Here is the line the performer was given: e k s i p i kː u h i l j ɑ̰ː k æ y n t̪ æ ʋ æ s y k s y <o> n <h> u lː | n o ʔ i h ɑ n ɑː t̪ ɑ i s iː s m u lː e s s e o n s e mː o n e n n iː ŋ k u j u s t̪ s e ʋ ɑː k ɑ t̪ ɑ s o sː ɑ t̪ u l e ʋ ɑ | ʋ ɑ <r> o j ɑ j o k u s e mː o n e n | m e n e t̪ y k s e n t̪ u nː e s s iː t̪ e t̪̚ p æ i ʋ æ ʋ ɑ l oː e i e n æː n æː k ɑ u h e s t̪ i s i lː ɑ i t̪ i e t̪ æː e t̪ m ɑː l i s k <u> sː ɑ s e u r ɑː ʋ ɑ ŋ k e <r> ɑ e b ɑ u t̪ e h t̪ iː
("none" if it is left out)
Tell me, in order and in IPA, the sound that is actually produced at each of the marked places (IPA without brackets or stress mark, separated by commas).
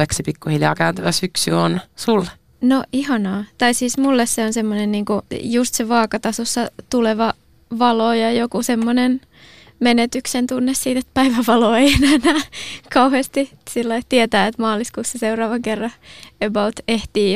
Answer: o, s, l, uː, rː